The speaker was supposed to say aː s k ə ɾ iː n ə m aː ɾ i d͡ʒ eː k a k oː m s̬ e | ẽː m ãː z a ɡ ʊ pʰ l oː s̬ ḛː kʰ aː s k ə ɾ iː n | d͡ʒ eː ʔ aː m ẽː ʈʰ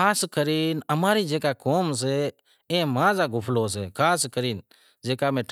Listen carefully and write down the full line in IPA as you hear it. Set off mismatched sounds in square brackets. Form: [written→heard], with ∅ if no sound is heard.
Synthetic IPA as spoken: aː s k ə ɾ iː n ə m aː ɾ i d͡ʒ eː k a k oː m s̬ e | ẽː m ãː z a ɡ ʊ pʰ l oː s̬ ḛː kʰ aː s k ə ɾ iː n | d͡ʒ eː [ʔ→k] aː m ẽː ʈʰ